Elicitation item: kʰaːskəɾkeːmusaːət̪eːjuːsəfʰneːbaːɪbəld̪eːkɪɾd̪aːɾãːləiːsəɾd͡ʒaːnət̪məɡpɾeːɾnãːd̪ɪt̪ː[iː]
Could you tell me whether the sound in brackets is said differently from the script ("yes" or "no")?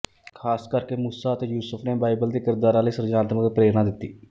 no